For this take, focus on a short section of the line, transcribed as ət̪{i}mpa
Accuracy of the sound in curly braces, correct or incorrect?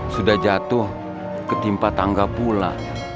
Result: correct